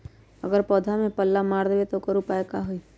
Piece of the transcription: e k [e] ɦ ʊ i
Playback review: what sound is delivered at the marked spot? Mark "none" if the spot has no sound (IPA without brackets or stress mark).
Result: a